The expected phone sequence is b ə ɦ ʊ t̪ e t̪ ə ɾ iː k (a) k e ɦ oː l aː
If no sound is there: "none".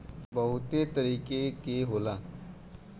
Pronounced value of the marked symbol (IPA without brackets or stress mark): e